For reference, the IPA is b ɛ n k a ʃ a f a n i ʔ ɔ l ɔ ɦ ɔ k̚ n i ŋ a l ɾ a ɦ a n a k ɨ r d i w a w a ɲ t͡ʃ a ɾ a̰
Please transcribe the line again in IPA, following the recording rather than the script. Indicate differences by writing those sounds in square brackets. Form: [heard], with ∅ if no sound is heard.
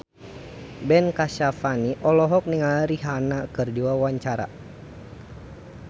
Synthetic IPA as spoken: b ɛ n k a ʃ a f a n i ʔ ɔ l ɔ ɦ ɔ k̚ n i ŋ a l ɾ [i] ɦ a n a k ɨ r d i w a w a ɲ t͡ʃ a ɾ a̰